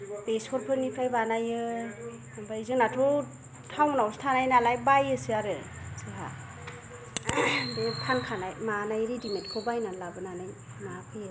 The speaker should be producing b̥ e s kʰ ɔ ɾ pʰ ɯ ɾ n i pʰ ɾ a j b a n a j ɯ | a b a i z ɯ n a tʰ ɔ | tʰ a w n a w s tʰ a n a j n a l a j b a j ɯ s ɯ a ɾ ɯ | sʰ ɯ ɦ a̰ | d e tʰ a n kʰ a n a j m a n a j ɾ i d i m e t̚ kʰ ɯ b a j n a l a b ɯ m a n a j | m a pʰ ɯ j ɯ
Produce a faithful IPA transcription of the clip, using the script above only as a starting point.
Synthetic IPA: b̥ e s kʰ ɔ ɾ pʰ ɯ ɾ n i pʰ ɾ a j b a n a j ɯ | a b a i z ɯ n a tʰ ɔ | tʰ a w n a w s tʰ a n a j n a l a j b a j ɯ s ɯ a ɾ ɯ | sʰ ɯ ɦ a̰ | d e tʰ a n kʰ a n a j m a n a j ɾ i d i m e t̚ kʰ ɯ b a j n a l a b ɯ n a n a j | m a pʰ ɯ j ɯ